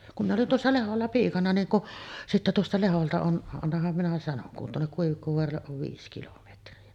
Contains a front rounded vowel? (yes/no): no